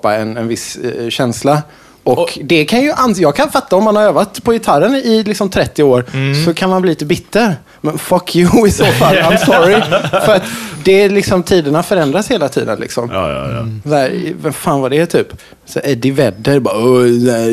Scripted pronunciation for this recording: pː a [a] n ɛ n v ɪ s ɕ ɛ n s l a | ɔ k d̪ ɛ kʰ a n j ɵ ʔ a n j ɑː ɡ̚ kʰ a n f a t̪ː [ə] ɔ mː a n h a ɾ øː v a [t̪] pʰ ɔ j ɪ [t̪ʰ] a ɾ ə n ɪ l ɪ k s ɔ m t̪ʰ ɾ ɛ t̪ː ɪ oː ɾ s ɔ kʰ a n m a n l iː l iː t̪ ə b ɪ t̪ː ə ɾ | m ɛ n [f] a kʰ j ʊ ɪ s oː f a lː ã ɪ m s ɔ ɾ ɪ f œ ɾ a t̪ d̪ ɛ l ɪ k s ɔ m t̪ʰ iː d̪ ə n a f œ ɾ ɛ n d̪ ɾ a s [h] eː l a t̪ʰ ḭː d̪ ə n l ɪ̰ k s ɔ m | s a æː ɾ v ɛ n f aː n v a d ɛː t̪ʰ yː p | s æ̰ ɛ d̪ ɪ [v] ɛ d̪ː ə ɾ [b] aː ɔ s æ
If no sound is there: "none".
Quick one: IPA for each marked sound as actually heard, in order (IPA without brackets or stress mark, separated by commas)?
ɛ, a, t̪, t̪ʰ, f, h, v, b